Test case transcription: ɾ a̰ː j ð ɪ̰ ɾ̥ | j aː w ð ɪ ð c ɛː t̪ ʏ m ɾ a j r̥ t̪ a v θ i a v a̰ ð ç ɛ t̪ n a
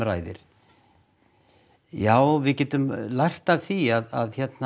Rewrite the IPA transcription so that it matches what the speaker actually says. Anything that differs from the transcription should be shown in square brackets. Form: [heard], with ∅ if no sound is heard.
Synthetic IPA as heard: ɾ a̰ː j ð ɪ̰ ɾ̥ | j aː w [v] ɪ ð c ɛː t̪ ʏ m [l] a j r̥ t̪ a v θ i a [ð] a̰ ð ç ɛ t̪ n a